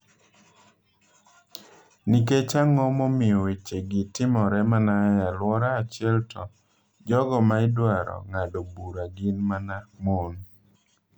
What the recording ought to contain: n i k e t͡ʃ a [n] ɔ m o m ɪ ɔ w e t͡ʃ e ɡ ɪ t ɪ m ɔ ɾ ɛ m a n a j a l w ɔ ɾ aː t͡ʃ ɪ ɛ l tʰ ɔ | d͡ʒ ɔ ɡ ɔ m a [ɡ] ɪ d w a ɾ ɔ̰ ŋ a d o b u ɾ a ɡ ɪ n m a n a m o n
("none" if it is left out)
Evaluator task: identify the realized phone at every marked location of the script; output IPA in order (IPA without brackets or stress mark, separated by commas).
ŋ, none